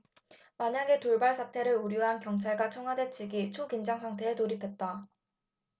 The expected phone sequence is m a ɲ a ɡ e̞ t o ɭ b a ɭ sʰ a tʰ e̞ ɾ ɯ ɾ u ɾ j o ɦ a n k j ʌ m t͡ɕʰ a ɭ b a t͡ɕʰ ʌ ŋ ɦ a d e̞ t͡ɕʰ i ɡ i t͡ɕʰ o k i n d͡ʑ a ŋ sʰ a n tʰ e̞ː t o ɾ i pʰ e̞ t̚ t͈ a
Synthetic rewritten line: m a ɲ a ɡ e̞ t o ɭ b a ɭ sʰ a tʰ e̞ ɾ ɯ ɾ u ɾ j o ɦ a n k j ʌ ŋ t͡ɕʰ a ɭ ɡ a t͡ɕʰ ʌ ŋ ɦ a d e̞ t͡ɕʰ i ɡ i t͡ɕʰ o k i n d͡ʑ a ŋ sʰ a ŋ tʰ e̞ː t o ɾ i pʰ e̞ t̚ t͈ a